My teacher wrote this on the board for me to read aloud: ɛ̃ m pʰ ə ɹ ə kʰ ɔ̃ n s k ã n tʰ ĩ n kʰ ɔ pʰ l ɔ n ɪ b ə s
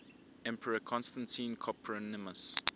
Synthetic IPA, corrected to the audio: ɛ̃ m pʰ ə ɹ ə kʰ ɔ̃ n s t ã n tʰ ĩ n kʰ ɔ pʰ ɹ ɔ n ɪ m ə s